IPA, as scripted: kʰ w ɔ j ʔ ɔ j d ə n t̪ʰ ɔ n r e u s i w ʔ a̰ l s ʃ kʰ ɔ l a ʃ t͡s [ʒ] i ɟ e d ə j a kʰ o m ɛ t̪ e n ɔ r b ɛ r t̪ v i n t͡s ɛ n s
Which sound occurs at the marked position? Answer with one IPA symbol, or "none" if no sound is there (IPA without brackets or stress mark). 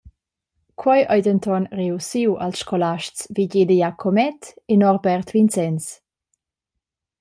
v